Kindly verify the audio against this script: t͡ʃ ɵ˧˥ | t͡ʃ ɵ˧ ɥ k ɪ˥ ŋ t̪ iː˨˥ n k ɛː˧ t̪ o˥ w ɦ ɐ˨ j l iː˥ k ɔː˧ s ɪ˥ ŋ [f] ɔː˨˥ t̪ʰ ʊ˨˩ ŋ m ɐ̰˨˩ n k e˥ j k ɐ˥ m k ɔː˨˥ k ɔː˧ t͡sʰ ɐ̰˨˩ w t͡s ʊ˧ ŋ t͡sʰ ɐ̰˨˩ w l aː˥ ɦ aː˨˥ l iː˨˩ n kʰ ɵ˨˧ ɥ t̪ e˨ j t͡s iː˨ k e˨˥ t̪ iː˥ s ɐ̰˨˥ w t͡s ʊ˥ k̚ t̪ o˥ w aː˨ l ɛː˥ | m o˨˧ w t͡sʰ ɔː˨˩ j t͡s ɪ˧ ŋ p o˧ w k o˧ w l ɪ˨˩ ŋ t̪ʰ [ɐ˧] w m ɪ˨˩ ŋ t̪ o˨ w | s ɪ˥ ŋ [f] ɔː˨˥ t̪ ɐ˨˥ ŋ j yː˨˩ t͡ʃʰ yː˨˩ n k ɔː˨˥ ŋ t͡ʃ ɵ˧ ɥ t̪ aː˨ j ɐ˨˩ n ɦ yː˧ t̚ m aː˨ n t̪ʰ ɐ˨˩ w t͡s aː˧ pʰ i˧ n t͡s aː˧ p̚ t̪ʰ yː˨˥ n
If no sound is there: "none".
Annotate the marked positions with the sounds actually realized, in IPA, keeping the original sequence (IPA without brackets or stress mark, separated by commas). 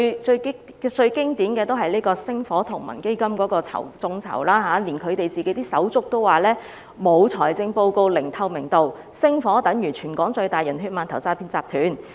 f, ɐ˧, f